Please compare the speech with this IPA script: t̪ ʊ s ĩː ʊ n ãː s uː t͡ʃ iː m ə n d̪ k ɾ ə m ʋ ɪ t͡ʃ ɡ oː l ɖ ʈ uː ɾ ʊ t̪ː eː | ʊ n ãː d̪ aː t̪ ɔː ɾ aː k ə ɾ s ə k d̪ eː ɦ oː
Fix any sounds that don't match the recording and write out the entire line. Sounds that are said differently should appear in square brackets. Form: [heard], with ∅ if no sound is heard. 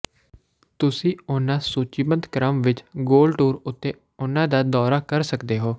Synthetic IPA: t̪ ʊ s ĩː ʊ n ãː s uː t͡ʃ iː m ə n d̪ k ɾ ə m ʋ ɪ t͡ʃ ɡ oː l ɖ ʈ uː ɾ ʊ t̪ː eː | ʊ n ãː d̪ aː [d̪] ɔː ɾ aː k ə ɾ s ə k d̪ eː ɦ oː

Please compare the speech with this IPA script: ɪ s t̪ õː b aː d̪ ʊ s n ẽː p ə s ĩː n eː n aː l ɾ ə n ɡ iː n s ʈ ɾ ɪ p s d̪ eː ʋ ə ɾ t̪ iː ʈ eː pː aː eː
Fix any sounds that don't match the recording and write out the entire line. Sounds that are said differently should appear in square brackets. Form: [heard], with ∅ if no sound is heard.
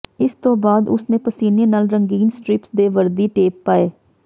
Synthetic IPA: ɪ s t̪ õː b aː d̪ ʊ s n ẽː p ə s [iː] n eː n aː l ɾ ə [ŋ] ɡ iː n s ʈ ɾ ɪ p s d̪ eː ʋ ə ɾ [d̪] iː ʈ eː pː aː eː

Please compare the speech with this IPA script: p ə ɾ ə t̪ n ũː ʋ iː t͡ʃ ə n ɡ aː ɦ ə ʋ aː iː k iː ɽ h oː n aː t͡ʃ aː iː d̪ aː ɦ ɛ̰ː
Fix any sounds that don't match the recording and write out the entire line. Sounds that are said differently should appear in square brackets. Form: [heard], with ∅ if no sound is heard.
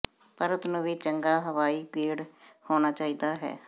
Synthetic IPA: p ə ɾ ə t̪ n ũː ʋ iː t͡ʃ ə [ŋ] ɡ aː ɦ ə ʋ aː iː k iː ɽ h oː n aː t͡ʃ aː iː d̪ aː ɦ ɛ̰ː

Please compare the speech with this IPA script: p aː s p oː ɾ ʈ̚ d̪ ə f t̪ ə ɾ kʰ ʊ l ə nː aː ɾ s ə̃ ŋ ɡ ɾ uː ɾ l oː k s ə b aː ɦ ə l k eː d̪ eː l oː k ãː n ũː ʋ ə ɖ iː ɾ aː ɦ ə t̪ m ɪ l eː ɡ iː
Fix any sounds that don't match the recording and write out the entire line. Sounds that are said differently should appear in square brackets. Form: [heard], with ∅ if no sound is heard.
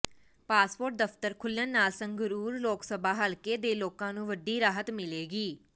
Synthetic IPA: p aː s p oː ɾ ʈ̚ d̪ ə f t̪ ə ɾ kʰ ʊ l ə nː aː [l] s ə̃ ŋ ɡ ɾ uː ɾ l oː k s ə b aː ɦ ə l k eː d̪ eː l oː k ãː n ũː ʋ ə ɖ iː ɾ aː ɦ ə t̪ m ɪ l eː ɡ iː

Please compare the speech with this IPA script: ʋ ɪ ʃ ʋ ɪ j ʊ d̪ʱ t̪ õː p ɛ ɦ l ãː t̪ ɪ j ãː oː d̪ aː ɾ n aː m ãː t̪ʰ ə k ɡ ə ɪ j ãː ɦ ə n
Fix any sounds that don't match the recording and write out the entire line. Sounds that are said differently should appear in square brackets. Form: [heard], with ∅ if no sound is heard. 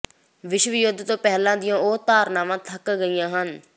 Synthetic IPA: ʋ ɪ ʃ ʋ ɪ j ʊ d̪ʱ t̪ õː p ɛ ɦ l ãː [d̪] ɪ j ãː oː [t̪] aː ɾ n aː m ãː t̪ʰ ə k ɡ ə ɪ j ãː ɦ ə n

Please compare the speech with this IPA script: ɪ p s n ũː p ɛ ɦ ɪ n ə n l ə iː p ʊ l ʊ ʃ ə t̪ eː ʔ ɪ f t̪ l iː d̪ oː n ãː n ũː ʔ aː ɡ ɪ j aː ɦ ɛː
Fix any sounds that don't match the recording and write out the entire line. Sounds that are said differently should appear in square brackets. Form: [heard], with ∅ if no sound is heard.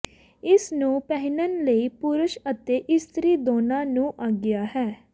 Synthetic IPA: ɪ [∅] s n ũː p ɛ ɦ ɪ n ə n l ə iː p ʊ [ɾ] ʊ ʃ ə t̪ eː ʔ ɪ [s] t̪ [ɾ] iː d̪ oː n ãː n ũː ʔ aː ɡ ɪ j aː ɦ ɛː

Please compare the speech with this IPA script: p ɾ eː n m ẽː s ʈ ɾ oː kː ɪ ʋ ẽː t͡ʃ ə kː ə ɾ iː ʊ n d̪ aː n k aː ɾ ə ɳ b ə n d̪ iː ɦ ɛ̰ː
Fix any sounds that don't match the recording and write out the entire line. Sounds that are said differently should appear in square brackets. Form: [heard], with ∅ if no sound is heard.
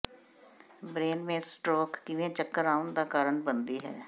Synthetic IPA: [b] ɾ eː n m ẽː s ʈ ɾ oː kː ɪ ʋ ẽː t͡ʃ ə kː ə ɾ [aː] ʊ n d̪ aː [∅] k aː ɾ ə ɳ b ə n d̪ iː ɦ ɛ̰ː

